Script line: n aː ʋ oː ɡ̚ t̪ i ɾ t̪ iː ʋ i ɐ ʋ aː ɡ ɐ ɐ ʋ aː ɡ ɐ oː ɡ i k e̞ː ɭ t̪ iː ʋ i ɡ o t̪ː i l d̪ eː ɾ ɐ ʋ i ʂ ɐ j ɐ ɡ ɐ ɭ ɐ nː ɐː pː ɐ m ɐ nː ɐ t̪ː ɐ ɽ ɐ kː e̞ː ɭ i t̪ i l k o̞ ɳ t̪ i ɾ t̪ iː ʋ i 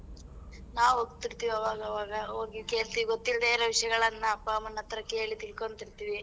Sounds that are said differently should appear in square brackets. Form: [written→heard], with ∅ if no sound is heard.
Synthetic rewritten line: n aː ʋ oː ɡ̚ t̪ i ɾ t̪ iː ʋ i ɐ ʋ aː ɡ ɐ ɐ ʋ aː ɡ ɐ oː ɡ i k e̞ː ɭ t̪ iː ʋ i ɡ o t̪ː i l d̪ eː ɾ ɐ ʋ i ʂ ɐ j ɐ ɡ ɐ ɭ ɐ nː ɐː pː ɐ m ɐ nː ɐ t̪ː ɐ [ɽ→ɾ] ɐ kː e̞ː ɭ i t̪ i l k o̞ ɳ t̪ i ɾ t̪ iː ʋ i

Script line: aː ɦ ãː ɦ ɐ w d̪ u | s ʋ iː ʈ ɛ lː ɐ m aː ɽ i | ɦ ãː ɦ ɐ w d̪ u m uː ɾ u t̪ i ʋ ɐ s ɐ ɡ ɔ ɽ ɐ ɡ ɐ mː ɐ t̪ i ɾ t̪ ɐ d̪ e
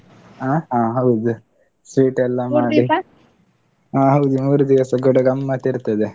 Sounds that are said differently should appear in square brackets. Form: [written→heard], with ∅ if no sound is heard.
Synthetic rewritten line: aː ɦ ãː ɦ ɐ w d̪ u | s ʋ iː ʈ ɛ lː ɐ m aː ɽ i | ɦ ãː ɦ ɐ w d̪ u m uː ɾ u [t̪→d̪] i ʋ ɐ s ɐ ɡ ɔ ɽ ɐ ɡ ɐ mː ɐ t̪ i ɾ t̪ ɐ d̪ e

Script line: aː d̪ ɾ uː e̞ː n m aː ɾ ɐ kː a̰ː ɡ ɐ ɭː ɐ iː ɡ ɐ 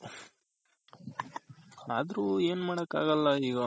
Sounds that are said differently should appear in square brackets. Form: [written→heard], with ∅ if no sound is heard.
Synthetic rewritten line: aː d̪ ɾ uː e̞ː n m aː [ɾ→ɽ] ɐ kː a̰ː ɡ ɐ [ɭː→lː] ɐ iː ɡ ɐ

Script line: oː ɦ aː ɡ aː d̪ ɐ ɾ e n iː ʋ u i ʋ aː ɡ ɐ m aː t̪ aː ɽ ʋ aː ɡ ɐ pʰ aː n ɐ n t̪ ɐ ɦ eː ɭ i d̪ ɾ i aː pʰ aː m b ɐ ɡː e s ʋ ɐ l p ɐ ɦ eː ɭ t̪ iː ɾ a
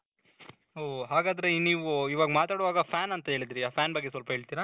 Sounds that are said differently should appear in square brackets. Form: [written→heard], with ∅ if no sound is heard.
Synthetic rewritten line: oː ɦ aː ɡ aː d̪ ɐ ɾ e n iː ʋ u i ʋ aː ɡ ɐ m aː t̪ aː ɽ ʋ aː ɡ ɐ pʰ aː n ɐ n t̪ ɐ ɦ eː ɭ i d̪ ɾ i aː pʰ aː [m→n] b ɐ ɡː e s ʋ ɐ l p ɐ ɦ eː ɭ t̪ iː ɾ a

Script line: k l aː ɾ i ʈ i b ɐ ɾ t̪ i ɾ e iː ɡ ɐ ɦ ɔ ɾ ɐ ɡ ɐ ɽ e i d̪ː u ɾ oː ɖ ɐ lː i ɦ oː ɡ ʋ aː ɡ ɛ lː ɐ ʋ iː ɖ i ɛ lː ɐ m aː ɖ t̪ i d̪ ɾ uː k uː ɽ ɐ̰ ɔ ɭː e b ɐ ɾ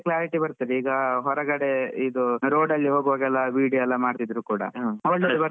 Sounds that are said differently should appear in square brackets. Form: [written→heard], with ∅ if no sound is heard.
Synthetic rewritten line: k l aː ɾ i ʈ i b ɐ ɾ t̪ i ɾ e iː ɡ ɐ ɦ ɔ ɾ ɐ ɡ ɐ ɽ e i [d̪ː→d̪] u ɾ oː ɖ ɐ lː i ɦ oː ɡ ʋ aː ɡ ɛ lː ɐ ʋ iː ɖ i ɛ lː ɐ m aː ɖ t̪ i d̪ ɾ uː k uː ɽ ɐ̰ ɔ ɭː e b ɐ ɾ

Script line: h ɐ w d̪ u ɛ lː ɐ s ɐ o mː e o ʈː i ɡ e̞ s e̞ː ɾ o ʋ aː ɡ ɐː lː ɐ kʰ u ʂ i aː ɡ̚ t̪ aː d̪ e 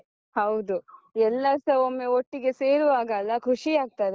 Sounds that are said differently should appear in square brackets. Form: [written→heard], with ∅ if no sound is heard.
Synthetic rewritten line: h ɐ w d̪ u ɛ lː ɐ s ɐ o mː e o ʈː i ɡ e̞ s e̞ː ɾ [o→u] ʋ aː ɡ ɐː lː ɐ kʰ u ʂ i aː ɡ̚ t̪ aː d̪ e

